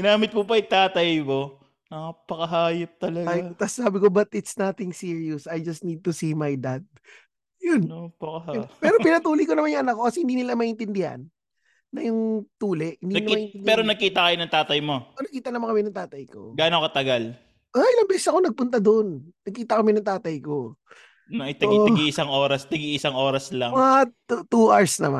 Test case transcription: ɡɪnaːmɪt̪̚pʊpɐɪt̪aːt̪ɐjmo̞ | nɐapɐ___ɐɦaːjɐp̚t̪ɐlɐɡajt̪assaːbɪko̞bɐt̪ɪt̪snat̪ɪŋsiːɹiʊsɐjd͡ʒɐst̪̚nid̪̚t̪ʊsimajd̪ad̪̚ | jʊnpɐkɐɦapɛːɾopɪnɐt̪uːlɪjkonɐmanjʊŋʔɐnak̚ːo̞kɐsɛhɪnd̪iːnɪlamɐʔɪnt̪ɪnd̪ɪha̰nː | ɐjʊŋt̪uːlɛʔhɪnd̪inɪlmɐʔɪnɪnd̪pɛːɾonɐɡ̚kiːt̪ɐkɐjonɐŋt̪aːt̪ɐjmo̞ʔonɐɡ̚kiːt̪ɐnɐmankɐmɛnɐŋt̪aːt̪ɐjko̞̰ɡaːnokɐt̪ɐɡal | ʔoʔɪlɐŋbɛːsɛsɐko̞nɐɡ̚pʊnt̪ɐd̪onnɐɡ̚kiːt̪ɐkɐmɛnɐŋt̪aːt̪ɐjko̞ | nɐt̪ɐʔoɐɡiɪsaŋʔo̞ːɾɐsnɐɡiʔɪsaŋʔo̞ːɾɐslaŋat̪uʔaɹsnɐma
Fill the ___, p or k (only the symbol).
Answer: k